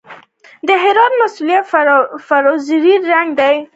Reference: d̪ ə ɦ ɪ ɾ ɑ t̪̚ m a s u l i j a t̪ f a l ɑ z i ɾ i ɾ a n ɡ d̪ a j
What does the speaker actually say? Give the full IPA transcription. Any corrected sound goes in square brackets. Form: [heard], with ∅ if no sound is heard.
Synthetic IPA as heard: d̪ ə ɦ ɪ ɾ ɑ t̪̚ m a s u l i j a t̪ f a [ɾ] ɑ z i ɾ i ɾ a [ŋ] ɡ d̪ a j